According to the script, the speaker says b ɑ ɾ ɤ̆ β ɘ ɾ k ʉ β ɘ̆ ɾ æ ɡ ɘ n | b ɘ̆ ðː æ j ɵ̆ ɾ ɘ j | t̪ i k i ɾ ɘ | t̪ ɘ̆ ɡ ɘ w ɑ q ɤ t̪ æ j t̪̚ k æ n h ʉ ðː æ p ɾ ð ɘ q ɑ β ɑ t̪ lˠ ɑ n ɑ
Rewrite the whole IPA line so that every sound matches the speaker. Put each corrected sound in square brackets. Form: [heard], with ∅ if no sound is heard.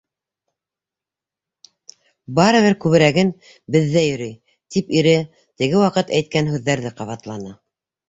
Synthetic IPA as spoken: b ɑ ɾ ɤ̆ β ɘ ɾ k ʉ β ɘ̆ ɾ æ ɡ ɘ n | b ɘ̆ ðː æ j ɵ̆ ɾ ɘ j | t̪ i [p] i ɾ ɘ | t̪ ɘ̆ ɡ ɘ w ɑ q ɤ t̪ æ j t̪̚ k æ n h ʉ ðː æ [∅] ɾ ð ɘ q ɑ β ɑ t̪ lˠ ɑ n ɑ

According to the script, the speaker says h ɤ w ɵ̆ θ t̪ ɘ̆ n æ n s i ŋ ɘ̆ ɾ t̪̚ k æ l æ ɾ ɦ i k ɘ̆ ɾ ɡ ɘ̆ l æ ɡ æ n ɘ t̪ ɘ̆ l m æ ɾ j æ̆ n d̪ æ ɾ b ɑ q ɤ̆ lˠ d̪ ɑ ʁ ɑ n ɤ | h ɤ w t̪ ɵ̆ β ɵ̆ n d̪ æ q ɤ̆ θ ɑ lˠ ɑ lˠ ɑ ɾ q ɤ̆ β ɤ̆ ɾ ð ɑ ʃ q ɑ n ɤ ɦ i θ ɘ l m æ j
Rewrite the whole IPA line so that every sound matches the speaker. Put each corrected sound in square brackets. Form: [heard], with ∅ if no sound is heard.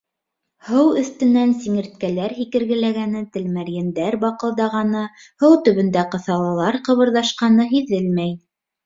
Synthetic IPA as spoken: h ɤ w ɵ̆ θ t̪ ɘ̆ n æ n s i ŋ ɘ̆ ɾ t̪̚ k æ l æ ɾ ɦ i k ɘ̆ ɾ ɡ ɘ̆ l æ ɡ æ n ɘ t̪ ɘ̆ l m æ ɾ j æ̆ n d̪ æ ɾ b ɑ q ɤ̆ lˠ d̪ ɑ ʁ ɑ n ɤ | h ɤ w t̪ ɵ̆ β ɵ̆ n d̪ æ q ɤ̆ θ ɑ lˠ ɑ lˠ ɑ ɾ q ɤ̆ β ɤ̆ ɾ ð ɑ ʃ q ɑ n ɤ ɦ i [ð] ɘ l m æ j

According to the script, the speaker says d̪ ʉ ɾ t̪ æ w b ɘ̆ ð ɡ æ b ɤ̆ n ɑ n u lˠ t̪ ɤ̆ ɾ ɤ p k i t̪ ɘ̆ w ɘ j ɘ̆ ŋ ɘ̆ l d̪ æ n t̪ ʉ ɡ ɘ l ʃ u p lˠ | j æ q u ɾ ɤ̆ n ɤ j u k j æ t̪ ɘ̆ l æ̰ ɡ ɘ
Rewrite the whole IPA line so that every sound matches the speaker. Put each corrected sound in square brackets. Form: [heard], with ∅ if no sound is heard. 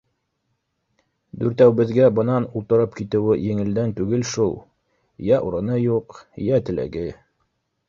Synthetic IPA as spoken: d̪ ʉ ɾ t̪ æ w b ɘ̆ ð ɡ æ b ɤ̆ n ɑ n u lˠ t̪ ɤ̆ ɾ ɤ p k i t̪ ɘ̆ w ɘ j ɘ̆ ŋ ɘ̆ l d̪ æ n t̪ ʉ ɡ ɘ l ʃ u [∅] lˠ | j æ [ʔ] u ɾ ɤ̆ n ɤ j u [q] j æ t̪ ɘ̆ l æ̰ ɡ ɘ

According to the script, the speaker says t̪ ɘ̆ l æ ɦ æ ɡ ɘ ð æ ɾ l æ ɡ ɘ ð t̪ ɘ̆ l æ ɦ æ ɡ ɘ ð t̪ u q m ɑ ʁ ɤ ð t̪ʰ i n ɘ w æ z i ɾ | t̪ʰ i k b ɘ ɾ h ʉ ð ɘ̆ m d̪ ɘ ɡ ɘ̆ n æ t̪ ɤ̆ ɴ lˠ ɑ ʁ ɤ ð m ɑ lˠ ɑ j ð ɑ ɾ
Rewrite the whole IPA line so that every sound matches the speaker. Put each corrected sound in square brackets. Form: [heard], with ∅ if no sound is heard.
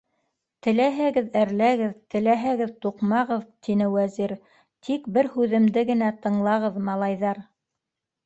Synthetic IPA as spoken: t̪ ɘ̆ l æ ɦ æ ɡ ɘ ð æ ɾ l æ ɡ ɘ ð t̪ ɘ̆ l æ ɦ æ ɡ ɘ ð t̪ u q m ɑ ʁ ɤ ð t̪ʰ i n ɘ w æ z i ɾ | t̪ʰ i k b ɘ ɾ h ʉ ð ɘ̆ m d̪ ɘ ɡ ɘ̆ n æ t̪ ɤ̆ ɴ lˠ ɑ ʁ ɤ ð m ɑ lˠ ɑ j ð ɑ ɾ

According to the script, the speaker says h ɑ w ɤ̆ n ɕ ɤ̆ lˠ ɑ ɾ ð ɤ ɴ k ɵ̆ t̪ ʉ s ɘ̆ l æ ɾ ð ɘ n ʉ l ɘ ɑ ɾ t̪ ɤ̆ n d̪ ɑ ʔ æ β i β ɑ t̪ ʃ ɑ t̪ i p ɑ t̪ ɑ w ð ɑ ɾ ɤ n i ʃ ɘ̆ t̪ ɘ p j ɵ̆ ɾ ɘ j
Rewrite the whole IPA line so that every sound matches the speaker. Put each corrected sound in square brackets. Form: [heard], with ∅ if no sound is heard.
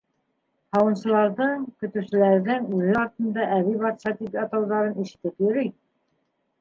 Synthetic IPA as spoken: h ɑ w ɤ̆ n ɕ ɤ̆ lˠ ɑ ɾ ð ɤ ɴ k ɵ̆ t̪ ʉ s ɘ̆ l æ ɾ ð ɘ [ŋ] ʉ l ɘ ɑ ɾ t̪ ɤ̆ n d̪ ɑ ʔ æ β i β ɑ t̪ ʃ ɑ t̪ i p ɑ t̪ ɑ w ð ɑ ɾ ɤ n i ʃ ɘ̆ t̪ ɘ p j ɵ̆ ɾ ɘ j

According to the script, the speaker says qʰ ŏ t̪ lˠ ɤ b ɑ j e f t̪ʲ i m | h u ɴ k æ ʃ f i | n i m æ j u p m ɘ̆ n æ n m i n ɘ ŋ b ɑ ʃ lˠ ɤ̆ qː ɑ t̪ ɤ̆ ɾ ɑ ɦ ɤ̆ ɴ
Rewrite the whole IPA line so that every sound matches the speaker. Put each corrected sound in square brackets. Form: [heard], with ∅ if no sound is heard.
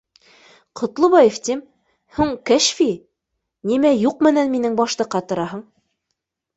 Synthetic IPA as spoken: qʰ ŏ t̪ lˠ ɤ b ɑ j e f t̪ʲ i m | h u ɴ k æ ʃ f i | n i m æ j u [q] m ɘ̆ n æ n m i n ɘ ŋ b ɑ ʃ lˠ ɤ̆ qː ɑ t̪ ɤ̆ ɾ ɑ ɦ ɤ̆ ɴ

